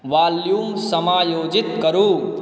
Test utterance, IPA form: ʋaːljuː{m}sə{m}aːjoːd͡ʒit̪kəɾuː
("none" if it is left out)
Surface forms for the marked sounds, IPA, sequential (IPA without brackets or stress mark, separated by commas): m, m